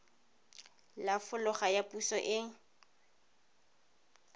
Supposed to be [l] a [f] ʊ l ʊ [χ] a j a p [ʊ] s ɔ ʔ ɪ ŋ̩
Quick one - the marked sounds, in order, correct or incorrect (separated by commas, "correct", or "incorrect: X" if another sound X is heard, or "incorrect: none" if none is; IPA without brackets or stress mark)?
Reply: correct, correct, correct, incorrect: u